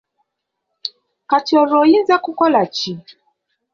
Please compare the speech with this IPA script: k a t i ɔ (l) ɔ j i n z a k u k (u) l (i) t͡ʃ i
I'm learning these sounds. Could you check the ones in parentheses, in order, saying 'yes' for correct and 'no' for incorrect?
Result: no, no, no

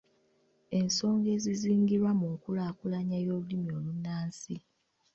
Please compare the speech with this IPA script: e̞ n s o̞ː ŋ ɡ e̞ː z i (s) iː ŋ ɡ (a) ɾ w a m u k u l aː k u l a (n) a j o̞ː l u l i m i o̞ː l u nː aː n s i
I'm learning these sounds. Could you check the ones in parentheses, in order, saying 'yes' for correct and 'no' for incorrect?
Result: no, no, no

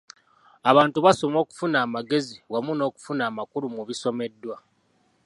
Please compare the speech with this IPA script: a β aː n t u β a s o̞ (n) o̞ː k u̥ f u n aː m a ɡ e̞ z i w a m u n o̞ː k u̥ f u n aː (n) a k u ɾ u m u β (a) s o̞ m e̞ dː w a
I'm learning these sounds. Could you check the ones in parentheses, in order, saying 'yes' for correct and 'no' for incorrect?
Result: no, no, no

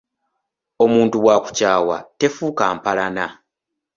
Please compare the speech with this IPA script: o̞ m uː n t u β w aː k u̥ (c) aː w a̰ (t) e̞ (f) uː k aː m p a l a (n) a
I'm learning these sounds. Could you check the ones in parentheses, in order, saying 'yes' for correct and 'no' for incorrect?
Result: yes, yes, yes, yes

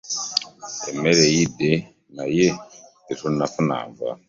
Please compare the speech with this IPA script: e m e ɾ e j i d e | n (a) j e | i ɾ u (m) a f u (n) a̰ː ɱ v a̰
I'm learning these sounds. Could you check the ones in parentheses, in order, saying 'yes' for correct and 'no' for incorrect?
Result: yes, no, yes

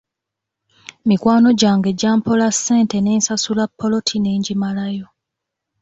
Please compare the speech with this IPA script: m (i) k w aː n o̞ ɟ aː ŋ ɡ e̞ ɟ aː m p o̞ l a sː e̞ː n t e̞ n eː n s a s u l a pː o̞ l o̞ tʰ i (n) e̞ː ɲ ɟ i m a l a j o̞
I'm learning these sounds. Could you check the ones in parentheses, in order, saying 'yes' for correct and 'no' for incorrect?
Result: yes, yes

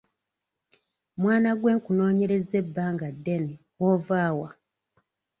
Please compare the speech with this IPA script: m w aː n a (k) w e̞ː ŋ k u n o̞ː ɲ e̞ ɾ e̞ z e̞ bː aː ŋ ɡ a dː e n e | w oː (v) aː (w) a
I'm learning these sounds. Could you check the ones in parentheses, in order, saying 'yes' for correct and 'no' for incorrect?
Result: no, yes, yes

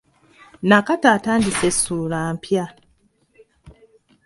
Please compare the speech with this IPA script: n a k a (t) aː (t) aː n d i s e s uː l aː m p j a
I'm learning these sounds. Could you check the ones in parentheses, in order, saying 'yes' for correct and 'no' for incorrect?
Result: yes, yes

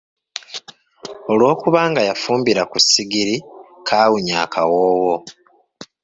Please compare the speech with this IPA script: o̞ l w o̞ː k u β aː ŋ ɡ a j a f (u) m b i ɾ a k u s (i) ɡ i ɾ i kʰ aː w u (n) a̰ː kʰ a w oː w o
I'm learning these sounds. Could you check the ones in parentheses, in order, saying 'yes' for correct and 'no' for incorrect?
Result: no, yes, no

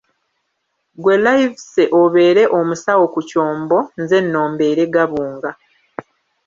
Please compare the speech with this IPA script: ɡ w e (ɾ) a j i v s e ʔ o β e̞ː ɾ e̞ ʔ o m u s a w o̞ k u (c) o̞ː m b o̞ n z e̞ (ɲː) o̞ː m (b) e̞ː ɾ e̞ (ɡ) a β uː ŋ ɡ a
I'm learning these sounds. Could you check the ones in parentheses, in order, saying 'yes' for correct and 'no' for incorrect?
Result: no, yes, no, yes, yes

